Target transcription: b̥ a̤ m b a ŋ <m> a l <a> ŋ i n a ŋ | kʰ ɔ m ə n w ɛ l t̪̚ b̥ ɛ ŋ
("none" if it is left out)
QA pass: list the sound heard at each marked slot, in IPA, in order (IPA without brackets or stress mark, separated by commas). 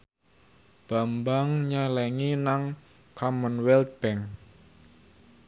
ɲ, ɛ